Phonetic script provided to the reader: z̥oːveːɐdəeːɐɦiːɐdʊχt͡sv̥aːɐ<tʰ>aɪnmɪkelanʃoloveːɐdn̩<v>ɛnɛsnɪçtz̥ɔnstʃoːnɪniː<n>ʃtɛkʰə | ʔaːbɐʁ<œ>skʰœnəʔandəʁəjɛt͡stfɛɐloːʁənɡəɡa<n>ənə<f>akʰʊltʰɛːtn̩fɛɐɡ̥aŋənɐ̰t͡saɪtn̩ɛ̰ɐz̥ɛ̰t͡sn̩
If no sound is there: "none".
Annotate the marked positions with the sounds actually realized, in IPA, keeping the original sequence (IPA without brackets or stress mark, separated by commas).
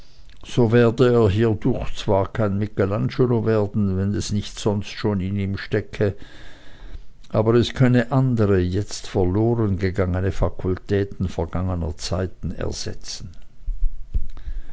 kʰ, v, m, ɛ, ŋ, f